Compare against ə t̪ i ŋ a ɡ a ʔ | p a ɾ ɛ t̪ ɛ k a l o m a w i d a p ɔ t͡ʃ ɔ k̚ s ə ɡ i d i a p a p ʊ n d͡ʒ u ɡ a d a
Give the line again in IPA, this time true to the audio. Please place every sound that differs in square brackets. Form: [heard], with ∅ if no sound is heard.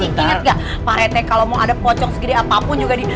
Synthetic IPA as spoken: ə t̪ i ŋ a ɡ a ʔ | p a ɾ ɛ t̪ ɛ k a l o m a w [a] d a p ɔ t͡ʃ ɔ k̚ s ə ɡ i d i a p a p ʊ n d͡ʒ u ɡ a d [i]

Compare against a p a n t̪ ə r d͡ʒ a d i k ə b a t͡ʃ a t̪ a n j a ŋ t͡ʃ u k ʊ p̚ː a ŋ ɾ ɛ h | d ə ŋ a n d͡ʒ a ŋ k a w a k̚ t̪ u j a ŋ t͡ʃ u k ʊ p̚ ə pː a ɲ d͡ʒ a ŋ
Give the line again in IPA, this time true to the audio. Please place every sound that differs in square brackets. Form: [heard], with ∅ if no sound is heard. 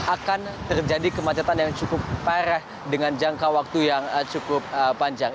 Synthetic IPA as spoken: a [k] a n t̪ ə r d͡ʒ a d i k ə [m] a t͡ʃ a t̪ a n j a ŋ t͡ʃ u k ʊ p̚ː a [∅] ɾ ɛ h | d ə ŋ a n d͡ʒ a ŋ k a w a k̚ t̪ u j a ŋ t͡ʃ u k ʊ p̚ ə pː a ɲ d͡ʒ a ŋ

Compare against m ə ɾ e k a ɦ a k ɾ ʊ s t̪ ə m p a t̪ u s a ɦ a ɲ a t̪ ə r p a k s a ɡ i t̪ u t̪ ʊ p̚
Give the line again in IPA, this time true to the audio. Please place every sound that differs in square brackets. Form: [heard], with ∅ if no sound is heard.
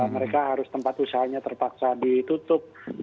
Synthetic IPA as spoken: m ə ɾ e k a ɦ a [∅] ɾ ʊ s t̪ ə m p a t̪ u s a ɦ a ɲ a t̪ ə r p a k s a [d] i t̪ u t̪ ʊ p̚

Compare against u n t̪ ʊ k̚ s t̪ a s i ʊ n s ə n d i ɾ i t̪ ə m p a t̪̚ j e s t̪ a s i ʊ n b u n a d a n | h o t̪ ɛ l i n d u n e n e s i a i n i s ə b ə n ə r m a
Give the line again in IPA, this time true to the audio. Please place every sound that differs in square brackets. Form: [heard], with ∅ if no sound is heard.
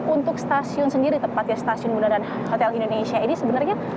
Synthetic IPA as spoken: u n t̪ ʊ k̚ s t̪ a s i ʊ n s ə n d i ɾ i t̪ ə m p a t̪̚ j [a] s t̪ a s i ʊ n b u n a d a n | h o t̪ ɛ l i n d [o] n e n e s i a i n i s ə b ə n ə r [ɲ] a

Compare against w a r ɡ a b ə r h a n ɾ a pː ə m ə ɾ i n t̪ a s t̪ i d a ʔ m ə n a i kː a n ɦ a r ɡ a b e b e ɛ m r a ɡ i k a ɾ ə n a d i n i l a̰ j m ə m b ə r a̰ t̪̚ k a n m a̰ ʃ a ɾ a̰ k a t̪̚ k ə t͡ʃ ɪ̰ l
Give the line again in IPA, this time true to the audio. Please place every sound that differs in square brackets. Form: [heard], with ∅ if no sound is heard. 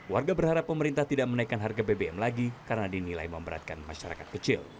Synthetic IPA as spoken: w a r ɡ a b ə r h a [∅] ɾ a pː ə m ə ɾ i n t̪ a [h] t̪ i d a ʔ m ə n a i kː a n ɦ a r ɡ a b e b e ɛ m [l] a ɡ i k a ɾ ə n a d i n i l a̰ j m ə m b ə [ɾ] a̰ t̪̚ k a n m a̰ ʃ a ɾ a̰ k a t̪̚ k ə t͡ʃ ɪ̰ l

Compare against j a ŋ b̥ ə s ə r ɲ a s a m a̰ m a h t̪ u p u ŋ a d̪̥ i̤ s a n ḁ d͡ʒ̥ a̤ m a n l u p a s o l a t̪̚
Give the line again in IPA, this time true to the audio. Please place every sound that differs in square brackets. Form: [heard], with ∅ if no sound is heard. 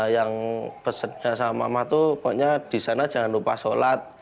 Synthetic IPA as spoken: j a ŋ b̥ ə s ə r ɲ a s a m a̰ m a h t̪ u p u [ɲ] a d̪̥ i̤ s a n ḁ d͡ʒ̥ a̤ [ŋ] a n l u p a s o l a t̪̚

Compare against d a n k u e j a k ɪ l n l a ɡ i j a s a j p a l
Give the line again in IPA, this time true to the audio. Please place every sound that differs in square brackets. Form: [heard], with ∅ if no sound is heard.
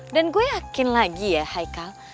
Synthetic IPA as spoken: d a n [ɡ] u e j a k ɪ [∅] n l a ɡ i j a [h] a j [k] a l

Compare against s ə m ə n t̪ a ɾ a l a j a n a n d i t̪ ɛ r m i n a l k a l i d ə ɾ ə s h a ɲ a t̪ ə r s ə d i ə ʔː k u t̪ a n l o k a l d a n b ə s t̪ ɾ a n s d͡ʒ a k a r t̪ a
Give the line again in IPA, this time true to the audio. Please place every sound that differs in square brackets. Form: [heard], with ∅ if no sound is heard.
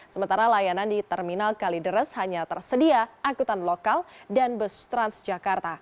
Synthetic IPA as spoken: s ə m ə n t̪ a ɾ a l a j a n a n d i t̪ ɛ r m i n a l k a l i d ə ɾ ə s h a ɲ a t̪ ə r s ə d i [a] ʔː k u t̪ a n l o k a l d a n b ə s t̪ ɾ a n s d͡ʒ a k a r t̪ a

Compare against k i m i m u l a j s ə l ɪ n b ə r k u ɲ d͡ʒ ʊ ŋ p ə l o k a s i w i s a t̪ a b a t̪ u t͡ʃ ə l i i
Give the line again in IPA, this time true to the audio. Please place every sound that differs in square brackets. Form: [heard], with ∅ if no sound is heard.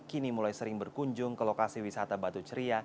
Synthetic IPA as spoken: k i [n] i m u l a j s ə [ɾ] ɪ [ŋ] b ə r k u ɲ d͡ʒ ʊ ŋ [k] ə l o k a s i w i s a t̪ a b a t̪ u t͡ʃ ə [ɾ] i [a]

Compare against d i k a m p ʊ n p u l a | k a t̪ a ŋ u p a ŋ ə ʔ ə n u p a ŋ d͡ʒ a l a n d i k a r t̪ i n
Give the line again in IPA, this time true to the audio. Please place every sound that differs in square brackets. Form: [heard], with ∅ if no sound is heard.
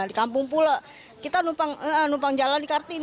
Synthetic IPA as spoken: d i k a m p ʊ [ŋ] p u l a | k [i] t̪ a [n] u p a ŋ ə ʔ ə n u p a ŋ d͡ʒ a l a n d i k a r t̪ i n

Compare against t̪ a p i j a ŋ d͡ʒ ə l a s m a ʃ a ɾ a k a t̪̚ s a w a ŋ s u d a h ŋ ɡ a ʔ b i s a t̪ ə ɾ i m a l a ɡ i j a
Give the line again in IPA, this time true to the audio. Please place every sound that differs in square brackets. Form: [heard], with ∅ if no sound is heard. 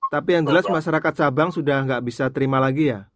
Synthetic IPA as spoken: t̪ a p i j a ŋ d͡ʒ ə l a s m a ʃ a ɾ a k a t̪̚ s a [b] a ŋ s u d a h ŋ ɡ a ʔ b i s a t̪ ə ɾ i m a l a ɡ i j a

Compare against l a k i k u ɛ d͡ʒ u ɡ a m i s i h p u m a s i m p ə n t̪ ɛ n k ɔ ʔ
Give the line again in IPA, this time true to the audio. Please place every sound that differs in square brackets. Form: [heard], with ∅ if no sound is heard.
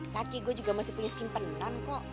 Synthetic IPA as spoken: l a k i [ɡ] u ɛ d͡ʒ u ɡ a m [a] s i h p u [ɲ] a s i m p ə n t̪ [a] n k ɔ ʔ

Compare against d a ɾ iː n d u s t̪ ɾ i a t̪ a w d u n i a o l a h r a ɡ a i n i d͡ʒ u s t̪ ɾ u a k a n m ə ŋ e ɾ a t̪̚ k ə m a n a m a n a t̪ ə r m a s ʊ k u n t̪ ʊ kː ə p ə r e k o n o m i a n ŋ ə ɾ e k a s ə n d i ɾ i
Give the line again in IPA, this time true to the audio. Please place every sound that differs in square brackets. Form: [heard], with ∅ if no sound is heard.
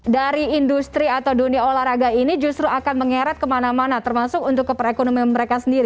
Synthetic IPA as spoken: d a ɾ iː n d u s t̪ ɾ i a t̪ a w d u n i a o l a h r a ɡ a i n i d͡ʒ u s t̪ ɾ u a k a n m ə ŋ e ɾ a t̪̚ k ə m a n a m a n a t̪ ə r m a s ʊ k u n t̪ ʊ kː ə p ə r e k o n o m i a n [m] ə ɾ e k a s ə n d i ɾ i

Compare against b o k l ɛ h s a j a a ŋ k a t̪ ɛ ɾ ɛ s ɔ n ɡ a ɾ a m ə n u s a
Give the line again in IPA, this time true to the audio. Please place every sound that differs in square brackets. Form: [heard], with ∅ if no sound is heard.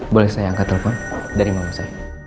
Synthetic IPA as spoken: b o [∅] l ɛ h s a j a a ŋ k a t̪ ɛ [l] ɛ [f] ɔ n [d] a ɾ [i] m [a] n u s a

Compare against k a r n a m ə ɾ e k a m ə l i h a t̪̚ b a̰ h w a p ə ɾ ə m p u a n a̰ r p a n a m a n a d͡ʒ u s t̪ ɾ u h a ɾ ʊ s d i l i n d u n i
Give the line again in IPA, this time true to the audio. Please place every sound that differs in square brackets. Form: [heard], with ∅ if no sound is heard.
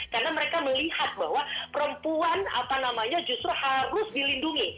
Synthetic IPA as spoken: k a r n a m ə ɾ e k a m ə l i h a t̪̚ b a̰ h w a p ə ɾ ə m p u a n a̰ [∅] p a n a m a [ɲ] a d͡ʒ u s t̪ ɾ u h a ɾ ʊ s d i l i n d u [ŋ] i

